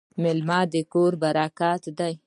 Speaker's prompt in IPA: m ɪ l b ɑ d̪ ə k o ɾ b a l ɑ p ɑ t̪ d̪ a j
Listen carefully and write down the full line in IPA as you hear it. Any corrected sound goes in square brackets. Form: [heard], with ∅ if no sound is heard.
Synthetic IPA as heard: m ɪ l [m] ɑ d̪ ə k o ɾ b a [ɾ] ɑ [k] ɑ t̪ d̪ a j